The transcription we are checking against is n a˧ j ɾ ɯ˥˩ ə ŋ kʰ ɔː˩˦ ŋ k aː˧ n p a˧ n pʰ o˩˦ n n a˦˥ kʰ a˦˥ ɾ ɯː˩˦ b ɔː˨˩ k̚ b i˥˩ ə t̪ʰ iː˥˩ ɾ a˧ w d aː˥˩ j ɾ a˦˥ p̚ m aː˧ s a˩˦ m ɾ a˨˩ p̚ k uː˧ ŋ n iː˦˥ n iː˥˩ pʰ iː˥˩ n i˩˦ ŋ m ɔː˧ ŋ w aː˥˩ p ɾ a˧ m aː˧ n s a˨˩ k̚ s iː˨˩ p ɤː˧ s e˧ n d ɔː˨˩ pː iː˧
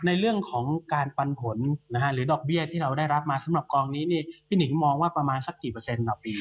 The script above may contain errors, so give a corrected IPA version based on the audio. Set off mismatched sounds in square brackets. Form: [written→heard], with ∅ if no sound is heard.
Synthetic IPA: n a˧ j ɾ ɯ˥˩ ə ŋ kʰ ɔː˩˦ ŋ k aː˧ n p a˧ n pʰ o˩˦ n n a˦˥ kʰ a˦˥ ɾ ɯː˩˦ [b→d] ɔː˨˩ k̚ b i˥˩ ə t̪ʰ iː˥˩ ɾ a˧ w d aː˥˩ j ɾ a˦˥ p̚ m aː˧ s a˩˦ m ɾ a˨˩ p̚ k [uː˧→ɔː˧] ŋ n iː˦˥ n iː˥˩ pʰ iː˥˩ n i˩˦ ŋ m ɔː˧ ŋ w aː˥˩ p ɾ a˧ m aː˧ n s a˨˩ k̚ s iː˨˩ p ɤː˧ s e˧ n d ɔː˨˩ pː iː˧